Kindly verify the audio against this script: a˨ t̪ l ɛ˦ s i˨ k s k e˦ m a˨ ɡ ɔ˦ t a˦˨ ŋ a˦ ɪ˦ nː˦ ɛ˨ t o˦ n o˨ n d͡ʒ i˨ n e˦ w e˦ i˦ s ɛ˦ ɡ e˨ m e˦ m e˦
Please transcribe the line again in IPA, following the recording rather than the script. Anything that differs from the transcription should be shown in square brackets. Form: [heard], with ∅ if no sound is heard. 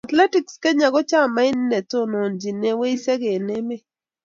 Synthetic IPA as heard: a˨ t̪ l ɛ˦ [t] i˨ k s k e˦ [ɲ] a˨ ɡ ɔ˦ [t͡ʃ] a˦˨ [m] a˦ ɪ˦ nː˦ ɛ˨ t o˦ n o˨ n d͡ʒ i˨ n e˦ w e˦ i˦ s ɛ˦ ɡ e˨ [n] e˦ m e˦